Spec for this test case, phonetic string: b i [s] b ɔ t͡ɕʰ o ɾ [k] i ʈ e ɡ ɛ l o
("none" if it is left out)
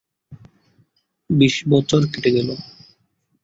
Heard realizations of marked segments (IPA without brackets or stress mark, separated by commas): ʃ, k